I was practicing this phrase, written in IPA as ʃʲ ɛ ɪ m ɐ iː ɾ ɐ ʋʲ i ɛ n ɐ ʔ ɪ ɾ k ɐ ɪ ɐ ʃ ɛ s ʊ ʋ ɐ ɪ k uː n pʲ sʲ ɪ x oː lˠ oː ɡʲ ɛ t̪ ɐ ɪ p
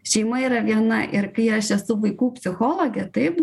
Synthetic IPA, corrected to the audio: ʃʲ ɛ ɪ m ɐ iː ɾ ɐ ʋʲ i ɛ n ɐ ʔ ɪ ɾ k ɐ ɪ ɐ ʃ ɛ s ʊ ʋ ɐ ɪ k uː pʲ sʲ ɪ x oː lˠ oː ɡʲ ɛ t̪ ɐ ɪ p